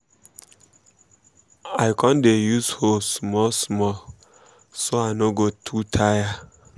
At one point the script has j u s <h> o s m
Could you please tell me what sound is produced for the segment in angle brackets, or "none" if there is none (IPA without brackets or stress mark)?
h